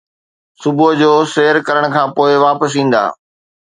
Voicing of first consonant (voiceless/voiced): voiceless